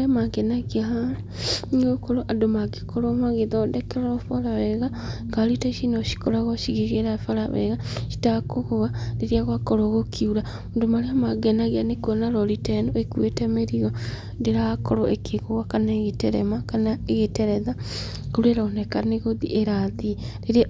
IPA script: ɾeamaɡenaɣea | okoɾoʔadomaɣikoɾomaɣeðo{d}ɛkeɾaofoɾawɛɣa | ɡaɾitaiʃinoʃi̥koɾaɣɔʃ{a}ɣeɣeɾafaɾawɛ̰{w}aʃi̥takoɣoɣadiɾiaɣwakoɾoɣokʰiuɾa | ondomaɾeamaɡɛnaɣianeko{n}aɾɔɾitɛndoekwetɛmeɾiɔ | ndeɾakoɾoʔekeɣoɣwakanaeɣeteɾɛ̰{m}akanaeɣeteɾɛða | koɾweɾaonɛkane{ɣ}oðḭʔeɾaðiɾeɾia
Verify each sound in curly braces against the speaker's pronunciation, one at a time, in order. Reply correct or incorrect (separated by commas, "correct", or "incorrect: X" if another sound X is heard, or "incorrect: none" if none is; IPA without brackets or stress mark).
correct, incorrect: i, incorrect: ɣ, correct, correct, correct